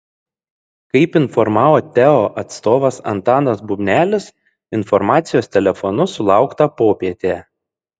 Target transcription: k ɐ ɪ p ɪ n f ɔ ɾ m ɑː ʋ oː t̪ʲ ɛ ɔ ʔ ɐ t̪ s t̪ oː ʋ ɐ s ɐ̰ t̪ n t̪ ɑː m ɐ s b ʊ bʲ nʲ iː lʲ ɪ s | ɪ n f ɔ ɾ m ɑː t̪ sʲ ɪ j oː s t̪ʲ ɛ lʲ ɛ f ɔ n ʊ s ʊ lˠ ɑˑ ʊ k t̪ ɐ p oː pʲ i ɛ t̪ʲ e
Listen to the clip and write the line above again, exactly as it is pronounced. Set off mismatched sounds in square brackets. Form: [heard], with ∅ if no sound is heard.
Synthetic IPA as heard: k ɐ ɪ p ɪ n f ɔ ɾ m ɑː ʋ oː t̪ʲ ɛ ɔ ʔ ɐ t̪ s t̪ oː ʋ ɐ s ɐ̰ [∅] n t̪ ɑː [n] ɐ s b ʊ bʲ nʲ [æː] lʲ ɪ s | ɪ n f ɔ ɾ m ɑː t̪ sʲ ɪ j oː s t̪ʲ ɛ lʲ ɛ f ɔ n ʊ s ʊ lˠ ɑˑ ʊ k t̪ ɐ p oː pʲ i ɛ t̪ʲ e